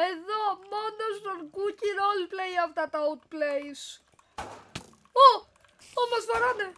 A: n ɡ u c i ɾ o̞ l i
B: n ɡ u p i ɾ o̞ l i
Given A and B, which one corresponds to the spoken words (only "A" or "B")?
A